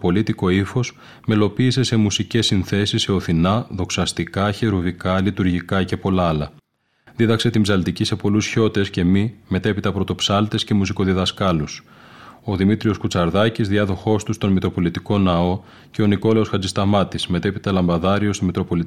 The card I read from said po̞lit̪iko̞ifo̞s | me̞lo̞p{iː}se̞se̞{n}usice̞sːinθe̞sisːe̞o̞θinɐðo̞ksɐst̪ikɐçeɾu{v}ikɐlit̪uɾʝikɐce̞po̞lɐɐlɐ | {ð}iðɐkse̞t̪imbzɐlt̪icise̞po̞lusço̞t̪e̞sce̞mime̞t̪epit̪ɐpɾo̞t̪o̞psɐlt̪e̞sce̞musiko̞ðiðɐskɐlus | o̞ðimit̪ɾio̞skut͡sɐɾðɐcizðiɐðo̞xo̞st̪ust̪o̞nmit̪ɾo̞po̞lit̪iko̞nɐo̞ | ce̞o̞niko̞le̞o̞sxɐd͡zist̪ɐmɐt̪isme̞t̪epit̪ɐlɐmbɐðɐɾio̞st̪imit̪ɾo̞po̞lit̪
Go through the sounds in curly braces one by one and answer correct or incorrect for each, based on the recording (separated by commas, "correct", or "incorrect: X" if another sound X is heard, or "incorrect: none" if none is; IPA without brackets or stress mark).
correct, incorrect: m, correct, correct